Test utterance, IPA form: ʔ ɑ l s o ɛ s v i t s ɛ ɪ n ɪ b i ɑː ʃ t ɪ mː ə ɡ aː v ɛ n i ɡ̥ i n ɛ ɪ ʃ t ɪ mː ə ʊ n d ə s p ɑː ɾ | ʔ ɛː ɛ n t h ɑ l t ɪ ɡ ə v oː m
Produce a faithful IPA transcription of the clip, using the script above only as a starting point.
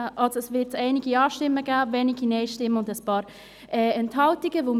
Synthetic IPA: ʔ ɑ l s o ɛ s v ɪ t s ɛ ɪ n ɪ ɡ i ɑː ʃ t ɪ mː ə ɡ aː v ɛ n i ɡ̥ i n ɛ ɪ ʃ t ɪ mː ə ʊ n d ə s p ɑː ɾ | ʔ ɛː ɛ n t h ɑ l t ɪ ɡ ə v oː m